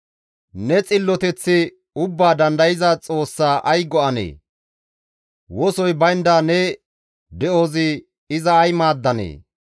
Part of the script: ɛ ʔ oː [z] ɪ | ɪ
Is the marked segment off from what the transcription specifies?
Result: no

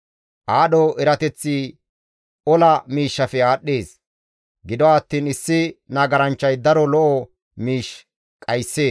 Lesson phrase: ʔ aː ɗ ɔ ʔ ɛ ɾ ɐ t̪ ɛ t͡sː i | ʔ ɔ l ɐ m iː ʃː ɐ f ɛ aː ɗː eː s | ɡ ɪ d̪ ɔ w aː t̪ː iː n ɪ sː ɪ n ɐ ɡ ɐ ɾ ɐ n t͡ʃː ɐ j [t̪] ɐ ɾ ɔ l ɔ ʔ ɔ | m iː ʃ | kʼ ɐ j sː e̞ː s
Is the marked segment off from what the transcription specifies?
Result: yes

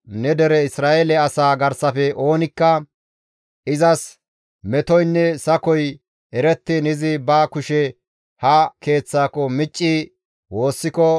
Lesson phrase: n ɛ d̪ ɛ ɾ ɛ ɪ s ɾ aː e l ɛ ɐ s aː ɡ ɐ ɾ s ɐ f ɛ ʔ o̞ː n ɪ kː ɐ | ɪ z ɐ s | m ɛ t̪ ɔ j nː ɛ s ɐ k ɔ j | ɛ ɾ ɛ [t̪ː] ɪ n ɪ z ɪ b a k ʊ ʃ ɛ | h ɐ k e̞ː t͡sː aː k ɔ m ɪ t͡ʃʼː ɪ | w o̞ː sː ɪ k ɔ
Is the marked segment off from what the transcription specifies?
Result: no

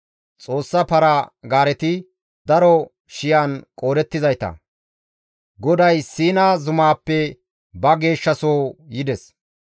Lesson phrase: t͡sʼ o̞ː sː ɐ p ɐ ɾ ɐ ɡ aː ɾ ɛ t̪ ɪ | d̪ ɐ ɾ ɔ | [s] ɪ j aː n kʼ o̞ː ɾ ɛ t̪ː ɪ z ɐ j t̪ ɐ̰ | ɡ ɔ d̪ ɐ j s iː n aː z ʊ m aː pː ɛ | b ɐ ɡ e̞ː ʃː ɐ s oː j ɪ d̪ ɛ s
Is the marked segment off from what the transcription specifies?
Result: yes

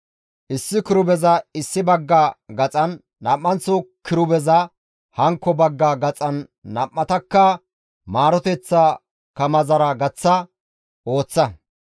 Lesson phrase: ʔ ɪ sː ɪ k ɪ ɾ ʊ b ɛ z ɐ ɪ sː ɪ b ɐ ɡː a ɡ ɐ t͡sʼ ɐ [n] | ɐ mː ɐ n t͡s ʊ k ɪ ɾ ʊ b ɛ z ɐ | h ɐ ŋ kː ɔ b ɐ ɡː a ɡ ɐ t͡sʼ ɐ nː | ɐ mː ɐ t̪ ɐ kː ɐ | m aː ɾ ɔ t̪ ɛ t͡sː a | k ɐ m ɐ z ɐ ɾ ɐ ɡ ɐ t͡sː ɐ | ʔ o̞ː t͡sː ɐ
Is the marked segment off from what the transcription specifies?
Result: yes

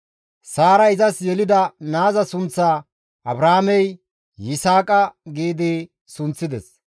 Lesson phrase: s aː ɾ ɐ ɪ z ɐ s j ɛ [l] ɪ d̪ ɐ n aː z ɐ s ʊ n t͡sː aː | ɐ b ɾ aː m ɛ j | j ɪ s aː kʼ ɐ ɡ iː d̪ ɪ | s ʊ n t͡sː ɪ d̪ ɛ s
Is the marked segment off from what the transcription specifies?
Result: no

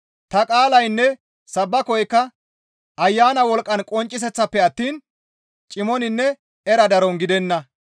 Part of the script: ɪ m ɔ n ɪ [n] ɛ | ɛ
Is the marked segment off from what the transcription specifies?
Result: yes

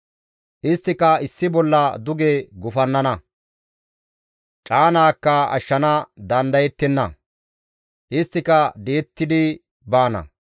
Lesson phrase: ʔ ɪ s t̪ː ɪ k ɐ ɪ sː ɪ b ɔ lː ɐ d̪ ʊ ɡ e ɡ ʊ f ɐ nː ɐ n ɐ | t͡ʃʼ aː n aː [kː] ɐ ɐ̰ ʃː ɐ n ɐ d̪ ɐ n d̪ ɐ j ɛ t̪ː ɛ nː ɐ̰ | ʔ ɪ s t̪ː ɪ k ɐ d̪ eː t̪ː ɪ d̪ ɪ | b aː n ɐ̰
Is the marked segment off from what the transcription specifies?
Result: no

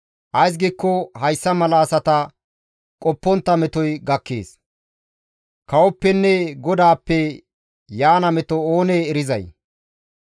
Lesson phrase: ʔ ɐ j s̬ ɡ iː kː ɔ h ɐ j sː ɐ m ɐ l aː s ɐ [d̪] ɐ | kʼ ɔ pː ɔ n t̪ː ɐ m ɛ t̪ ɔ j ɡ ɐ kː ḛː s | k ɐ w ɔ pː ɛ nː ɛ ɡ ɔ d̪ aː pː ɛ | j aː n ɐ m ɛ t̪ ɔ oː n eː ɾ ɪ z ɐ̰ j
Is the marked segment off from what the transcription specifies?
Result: yes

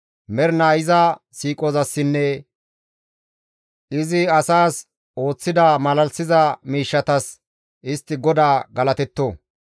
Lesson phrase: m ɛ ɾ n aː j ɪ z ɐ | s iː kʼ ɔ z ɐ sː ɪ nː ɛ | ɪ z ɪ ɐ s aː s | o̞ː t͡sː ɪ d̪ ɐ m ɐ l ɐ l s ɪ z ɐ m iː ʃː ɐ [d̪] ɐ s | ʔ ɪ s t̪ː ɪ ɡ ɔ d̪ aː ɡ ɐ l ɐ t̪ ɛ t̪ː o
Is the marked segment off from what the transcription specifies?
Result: yes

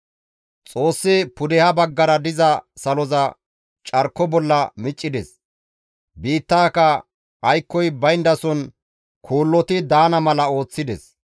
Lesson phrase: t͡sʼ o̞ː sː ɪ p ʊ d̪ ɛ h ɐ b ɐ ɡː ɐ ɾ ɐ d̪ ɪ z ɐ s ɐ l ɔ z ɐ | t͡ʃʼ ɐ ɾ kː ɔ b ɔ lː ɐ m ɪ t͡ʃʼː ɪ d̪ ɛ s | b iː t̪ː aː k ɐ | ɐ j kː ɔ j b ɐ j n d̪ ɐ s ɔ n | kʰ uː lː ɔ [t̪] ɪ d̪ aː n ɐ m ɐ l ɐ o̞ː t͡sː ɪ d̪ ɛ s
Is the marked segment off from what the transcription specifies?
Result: no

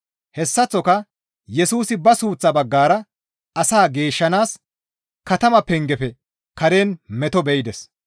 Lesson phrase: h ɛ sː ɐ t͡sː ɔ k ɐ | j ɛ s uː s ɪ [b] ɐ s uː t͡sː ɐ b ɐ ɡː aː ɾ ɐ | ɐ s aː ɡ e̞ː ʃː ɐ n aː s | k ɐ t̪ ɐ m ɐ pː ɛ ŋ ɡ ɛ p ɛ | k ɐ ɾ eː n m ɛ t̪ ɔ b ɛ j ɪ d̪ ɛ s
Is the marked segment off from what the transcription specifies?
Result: no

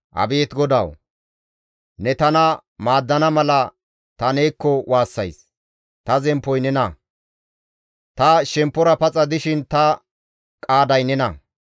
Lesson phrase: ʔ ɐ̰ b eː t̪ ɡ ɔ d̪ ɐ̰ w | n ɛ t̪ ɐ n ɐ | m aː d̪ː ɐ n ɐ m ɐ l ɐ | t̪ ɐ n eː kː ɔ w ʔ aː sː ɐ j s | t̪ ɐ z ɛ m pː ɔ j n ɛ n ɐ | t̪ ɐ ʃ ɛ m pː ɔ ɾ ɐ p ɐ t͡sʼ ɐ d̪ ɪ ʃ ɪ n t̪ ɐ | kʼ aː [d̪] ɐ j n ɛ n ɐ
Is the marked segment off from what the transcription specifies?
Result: no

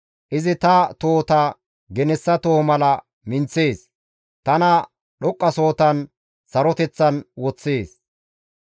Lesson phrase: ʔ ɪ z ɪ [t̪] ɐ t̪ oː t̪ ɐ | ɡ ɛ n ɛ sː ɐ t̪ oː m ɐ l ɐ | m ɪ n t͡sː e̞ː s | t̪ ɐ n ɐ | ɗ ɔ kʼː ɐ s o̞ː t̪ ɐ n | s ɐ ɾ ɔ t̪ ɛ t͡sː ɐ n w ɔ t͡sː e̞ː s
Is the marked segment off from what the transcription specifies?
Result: no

